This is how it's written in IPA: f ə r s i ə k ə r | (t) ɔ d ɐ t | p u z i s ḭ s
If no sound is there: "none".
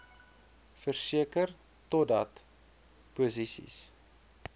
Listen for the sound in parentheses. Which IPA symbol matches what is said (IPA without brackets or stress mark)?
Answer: t